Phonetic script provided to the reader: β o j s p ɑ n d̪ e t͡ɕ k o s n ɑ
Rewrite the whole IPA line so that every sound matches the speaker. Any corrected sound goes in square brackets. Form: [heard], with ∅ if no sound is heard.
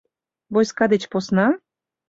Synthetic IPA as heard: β o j s [k] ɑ [∅] d̪ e t͡ɕ [p] o s n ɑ